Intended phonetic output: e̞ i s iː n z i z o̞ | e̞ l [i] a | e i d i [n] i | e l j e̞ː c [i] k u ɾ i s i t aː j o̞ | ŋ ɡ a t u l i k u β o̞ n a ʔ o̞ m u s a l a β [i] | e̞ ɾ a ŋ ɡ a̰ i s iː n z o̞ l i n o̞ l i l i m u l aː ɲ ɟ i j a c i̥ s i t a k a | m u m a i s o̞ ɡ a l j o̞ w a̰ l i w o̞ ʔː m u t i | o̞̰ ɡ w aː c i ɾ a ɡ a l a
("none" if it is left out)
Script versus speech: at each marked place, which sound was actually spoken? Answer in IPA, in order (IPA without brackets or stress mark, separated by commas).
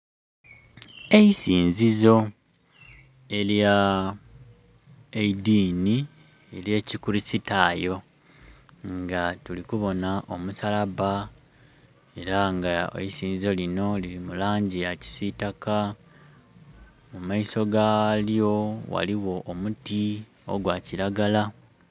j, n, i, a